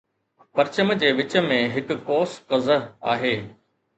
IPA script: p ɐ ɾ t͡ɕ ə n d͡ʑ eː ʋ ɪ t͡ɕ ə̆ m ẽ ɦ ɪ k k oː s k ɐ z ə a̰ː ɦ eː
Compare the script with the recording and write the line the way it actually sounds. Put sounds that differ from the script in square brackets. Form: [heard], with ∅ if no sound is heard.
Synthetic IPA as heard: p ɐ ɾ t͡ɕ ə [m] d͡ʑ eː ʋ ɪ t͡ɕ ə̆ m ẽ ɦ ɪ k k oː s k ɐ z ə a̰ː ɦ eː

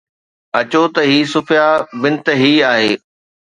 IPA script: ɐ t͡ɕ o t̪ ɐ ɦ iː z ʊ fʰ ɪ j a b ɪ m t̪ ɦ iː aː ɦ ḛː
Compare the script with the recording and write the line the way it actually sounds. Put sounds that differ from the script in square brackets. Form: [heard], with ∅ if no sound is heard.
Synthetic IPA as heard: ɐ t͡ɕ o t̪ ɐ ɦ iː [s] ʊ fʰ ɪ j a b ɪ [n] t̪ ɦ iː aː ɦ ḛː

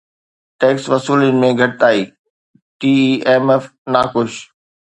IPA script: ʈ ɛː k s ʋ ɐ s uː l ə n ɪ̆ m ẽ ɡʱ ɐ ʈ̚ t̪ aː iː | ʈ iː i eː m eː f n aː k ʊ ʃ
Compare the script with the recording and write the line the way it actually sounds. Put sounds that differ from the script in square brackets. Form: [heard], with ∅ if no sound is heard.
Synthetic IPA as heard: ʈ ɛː k s ʋ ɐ s uː l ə n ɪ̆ m ẽ ɡʱ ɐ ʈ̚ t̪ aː iː | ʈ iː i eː m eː f n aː k ʊ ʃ

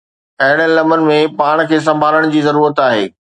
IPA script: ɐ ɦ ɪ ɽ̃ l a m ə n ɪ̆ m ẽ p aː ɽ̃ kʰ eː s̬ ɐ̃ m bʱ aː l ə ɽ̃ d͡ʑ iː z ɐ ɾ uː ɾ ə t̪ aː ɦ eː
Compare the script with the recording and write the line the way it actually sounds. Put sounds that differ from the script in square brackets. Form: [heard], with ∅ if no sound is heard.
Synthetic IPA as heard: ɐ ɦ ɪ ɽ̃ l [ɐ] m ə n ɪ̆ m ẽ p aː ɽ̃ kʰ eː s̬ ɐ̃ m bʱ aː l ə ɽ̃ d͡ʑ iː z ɐ ɾ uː ɾ ə t̪ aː ɦ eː

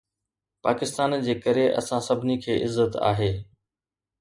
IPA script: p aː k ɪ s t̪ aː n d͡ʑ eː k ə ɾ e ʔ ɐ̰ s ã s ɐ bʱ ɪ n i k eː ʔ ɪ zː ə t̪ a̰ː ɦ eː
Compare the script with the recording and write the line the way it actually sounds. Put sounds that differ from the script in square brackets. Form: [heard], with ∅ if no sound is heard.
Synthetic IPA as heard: p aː k ɪ s t̪ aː n d͡ʑ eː k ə ɾ e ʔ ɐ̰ s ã s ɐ bʱ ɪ n i [kʰ] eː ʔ ɪ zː ə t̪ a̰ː ɦ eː

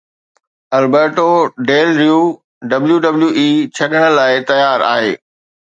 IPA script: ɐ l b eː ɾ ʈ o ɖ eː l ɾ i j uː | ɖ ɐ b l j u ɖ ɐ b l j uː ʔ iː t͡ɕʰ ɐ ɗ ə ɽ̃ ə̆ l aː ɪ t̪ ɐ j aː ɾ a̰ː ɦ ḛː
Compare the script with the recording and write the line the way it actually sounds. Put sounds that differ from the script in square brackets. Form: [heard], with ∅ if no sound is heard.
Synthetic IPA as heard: ɐ l b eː ɾ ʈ o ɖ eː l ɾ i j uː | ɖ ɐ b l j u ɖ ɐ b l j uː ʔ iː t͡ɕʰ ɐ ɗ ə ɽ̃ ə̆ l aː ɪ t̪ ɐ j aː ɾ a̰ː ɦ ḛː

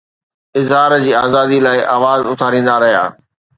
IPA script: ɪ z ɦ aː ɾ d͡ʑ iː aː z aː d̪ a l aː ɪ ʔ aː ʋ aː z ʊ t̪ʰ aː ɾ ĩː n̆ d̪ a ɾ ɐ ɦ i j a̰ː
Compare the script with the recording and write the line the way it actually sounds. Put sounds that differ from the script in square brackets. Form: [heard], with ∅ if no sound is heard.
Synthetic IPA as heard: ɪ z ɦ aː ɾ d͡ʑ iː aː z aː d̪ [i] l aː ɪ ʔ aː ʋ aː z ʊ t̪ʰ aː ɾ ĩː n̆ d̪ a ɾ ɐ ɦ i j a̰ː

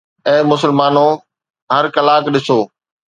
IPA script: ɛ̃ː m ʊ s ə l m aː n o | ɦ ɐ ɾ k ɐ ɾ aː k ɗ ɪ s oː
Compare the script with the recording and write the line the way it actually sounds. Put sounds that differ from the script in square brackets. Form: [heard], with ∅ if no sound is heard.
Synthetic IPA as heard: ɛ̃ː m ʊ s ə l m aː n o | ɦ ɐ ɾ k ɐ [l] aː k ɗ ɪ s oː

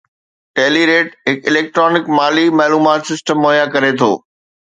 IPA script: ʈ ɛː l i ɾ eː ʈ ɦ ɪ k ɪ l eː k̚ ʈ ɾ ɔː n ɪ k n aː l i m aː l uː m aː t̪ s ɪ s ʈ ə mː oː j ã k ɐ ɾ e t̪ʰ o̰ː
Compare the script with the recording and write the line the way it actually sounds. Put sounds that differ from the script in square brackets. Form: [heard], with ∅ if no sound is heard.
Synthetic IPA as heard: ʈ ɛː l i ɾ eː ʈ ɦ ɪ k ɪ l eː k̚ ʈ ɾ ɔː n ɪ k [m] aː l i m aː l uː m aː t̪ s ɪ s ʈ ə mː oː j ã k ɐ ɾ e t̪ʰ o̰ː

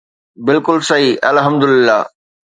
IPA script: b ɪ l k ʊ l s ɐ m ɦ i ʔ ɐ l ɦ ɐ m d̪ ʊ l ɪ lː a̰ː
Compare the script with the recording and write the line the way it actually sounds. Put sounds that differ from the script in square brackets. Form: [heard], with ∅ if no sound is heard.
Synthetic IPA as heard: b ɪ l k ʊ l s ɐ [∅] ɦ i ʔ ɐ l ɦ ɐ m d̪ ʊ l ɪ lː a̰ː

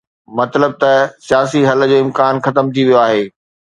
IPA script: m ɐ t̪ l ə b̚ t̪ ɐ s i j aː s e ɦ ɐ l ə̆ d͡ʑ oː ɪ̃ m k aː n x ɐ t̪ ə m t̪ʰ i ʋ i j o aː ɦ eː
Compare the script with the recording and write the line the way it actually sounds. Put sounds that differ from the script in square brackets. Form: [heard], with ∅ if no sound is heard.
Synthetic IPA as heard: m ɐ t̪ l ə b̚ t̪ ɐ s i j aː s [i] ɦ ɐ l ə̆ d͡ʑ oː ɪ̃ m k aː n x ɐ t̪ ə m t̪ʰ i ʋ i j o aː ɦ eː

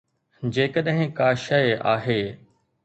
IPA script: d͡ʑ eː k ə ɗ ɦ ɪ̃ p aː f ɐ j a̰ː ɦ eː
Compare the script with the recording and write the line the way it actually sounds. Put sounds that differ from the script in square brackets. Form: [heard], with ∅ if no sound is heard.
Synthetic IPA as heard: d͡ʑ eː k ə ɗ ɦ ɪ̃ [k] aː [ʃ] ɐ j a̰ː ɦ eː

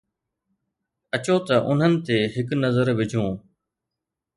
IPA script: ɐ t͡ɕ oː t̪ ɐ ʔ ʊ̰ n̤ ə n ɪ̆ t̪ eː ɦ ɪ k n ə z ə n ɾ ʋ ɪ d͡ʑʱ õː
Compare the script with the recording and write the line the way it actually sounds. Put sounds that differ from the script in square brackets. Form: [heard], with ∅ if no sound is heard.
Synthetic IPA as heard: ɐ t͡ɕ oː t̪ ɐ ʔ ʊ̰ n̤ ə n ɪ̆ t̪ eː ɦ ɪ k n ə z ə [∅] ɾ ʋ ɪ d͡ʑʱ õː

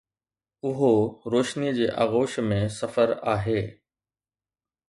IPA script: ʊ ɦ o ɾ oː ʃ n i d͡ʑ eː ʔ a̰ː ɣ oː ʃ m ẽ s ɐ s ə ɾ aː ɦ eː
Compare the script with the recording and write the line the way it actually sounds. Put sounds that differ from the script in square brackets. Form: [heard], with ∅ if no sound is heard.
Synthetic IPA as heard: ʊ ɦ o ɾ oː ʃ n i d͡ʑ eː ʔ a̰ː ɣ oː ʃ m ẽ s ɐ [f] ə ɾ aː ɦ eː

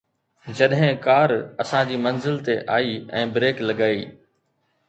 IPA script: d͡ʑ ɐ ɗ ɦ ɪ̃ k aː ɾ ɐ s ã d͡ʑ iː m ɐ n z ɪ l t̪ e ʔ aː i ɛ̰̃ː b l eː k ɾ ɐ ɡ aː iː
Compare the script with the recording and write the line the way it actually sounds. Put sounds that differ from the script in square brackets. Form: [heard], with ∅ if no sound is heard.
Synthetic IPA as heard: d͡ʑ ɐ ɗ ɦ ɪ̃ k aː ɾ ɐ s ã d͡ʑ iː m ɐ n z ɪ l t̪ e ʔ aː i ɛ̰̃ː b [ɾ] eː k [l] ɐ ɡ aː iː

